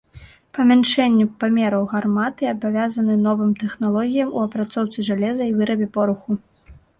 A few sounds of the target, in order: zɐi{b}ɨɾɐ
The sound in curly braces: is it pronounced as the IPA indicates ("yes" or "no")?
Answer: no